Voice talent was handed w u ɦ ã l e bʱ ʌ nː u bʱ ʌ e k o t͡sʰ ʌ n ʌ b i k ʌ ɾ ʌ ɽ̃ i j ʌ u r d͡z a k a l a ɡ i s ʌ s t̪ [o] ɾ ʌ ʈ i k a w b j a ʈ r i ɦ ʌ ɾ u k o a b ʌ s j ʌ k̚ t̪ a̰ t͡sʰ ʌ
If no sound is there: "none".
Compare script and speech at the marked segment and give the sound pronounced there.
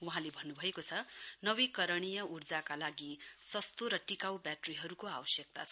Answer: o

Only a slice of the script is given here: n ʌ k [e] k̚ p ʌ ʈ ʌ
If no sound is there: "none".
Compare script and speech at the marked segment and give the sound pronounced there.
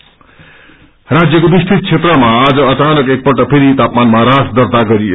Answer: e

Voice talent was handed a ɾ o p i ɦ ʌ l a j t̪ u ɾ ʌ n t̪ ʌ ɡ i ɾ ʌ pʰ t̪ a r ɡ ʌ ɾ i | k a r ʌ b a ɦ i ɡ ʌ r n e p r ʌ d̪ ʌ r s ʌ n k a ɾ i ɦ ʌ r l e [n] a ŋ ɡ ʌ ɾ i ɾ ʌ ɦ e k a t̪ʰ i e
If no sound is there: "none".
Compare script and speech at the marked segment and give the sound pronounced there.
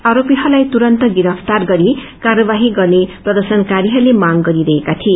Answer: m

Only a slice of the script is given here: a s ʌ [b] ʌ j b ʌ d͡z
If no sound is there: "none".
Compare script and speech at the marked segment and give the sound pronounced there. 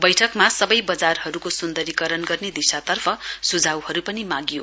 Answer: b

